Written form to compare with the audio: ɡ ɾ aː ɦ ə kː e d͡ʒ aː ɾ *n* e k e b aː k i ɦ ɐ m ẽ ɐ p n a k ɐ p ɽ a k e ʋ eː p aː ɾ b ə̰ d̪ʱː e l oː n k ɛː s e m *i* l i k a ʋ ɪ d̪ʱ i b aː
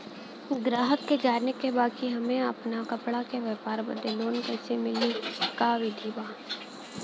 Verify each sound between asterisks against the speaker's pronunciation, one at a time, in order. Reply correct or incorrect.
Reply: correct, incorrect

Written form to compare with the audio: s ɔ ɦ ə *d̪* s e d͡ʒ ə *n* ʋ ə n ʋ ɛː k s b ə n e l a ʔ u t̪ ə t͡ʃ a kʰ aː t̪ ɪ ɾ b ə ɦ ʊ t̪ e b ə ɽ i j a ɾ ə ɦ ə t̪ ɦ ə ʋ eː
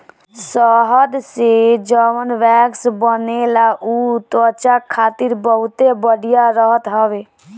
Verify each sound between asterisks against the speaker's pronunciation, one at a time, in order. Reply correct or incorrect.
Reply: correct, incorrect

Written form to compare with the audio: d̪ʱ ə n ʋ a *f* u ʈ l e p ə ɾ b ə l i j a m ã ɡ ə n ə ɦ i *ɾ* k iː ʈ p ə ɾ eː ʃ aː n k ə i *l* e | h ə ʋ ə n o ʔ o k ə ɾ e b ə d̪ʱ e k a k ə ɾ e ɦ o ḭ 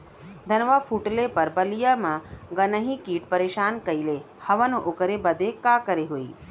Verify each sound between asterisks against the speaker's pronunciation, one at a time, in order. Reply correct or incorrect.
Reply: correct, incorrect, correct

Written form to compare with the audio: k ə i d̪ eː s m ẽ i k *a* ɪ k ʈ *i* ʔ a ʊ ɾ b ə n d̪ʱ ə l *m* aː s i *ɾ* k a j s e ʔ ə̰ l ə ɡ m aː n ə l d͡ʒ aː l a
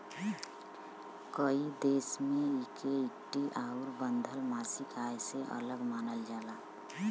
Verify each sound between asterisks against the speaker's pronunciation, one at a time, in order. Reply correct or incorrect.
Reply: incorrect, correct, correct, incorrect

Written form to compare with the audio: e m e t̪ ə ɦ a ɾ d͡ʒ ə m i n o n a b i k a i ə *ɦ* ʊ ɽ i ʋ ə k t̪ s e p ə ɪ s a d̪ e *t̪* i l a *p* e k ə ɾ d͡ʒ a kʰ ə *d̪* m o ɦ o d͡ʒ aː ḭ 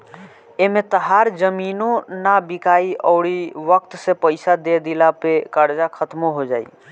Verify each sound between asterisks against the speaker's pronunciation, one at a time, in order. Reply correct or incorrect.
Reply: incorrect, incorrect, correct, incorrect

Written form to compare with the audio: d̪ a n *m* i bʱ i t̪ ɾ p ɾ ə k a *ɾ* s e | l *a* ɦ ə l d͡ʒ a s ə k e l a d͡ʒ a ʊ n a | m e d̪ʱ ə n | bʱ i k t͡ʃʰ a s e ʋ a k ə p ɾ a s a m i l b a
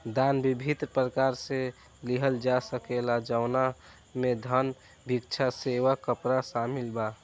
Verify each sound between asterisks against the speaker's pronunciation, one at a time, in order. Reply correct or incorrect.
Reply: incorrect, correct, incorrect

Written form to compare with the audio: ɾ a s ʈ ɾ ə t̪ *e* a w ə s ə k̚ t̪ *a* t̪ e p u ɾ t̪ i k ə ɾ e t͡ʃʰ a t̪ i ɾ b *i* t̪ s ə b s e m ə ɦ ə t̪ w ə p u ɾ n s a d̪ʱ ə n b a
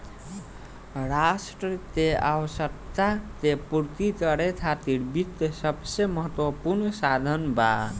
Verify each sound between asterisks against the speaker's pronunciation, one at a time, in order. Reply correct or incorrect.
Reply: correct, correct, correct

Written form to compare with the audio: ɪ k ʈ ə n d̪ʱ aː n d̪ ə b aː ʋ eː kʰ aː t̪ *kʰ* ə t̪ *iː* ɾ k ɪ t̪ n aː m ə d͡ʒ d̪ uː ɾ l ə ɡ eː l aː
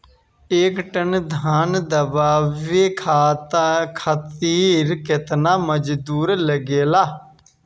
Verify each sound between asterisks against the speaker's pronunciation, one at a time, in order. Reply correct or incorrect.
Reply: correct, correct

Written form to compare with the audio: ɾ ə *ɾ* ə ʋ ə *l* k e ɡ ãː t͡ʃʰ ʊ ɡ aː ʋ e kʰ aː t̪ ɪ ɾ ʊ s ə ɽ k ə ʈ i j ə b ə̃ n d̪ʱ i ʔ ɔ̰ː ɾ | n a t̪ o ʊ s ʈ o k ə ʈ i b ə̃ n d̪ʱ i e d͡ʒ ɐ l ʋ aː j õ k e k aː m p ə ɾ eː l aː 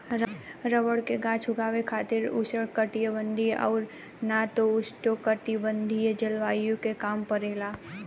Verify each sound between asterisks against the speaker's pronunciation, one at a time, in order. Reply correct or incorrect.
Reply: correct, incorrect

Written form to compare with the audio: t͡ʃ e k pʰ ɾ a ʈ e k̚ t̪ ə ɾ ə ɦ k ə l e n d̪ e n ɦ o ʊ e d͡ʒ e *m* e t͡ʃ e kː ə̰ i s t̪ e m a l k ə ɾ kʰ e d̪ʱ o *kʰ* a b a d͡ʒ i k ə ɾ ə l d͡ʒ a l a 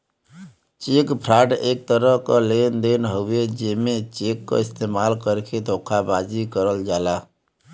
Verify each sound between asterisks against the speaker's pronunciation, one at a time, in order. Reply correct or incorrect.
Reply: correct, correct

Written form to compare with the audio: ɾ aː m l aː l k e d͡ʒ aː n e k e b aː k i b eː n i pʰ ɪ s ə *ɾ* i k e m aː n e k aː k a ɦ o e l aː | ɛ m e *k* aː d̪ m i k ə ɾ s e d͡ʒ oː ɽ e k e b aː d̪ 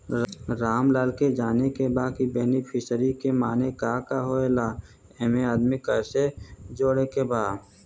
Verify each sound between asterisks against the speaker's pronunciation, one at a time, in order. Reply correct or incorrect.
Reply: correct, incorrect

